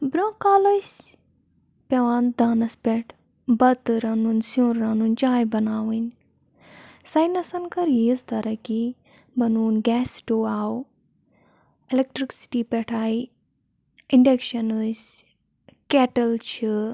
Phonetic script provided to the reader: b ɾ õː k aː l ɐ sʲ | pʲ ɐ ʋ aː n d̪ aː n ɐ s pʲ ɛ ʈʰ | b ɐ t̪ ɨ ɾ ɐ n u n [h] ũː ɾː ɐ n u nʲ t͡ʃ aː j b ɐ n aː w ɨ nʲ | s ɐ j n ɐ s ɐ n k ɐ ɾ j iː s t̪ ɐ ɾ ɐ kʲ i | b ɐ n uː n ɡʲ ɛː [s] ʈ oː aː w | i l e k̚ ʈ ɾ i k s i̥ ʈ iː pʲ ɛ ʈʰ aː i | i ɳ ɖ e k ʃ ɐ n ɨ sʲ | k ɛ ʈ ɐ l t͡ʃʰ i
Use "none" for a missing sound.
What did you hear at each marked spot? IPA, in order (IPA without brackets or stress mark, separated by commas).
s, s